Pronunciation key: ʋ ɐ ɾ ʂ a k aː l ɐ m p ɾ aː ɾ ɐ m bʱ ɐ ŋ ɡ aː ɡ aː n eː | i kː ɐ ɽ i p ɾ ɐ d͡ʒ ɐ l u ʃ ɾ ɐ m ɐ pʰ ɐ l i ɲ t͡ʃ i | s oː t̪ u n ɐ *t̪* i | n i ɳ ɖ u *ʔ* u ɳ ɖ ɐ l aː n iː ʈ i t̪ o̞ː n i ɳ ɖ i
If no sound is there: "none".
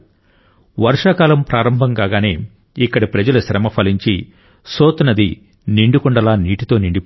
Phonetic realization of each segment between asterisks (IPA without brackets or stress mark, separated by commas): d̪, k